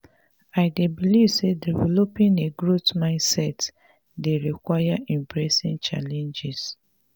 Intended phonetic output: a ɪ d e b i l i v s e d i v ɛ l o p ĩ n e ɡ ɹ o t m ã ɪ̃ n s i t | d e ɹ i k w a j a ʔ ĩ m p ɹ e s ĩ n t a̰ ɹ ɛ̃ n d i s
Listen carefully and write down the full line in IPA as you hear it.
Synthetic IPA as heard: a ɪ d e b i l i v s e d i v ɛ l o p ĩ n e ɡ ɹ o t m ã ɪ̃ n s ɛ t | d e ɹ i k w a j a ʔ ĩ m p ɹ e s ĩ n t͡ʃ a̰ l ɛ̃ n d͡ʒ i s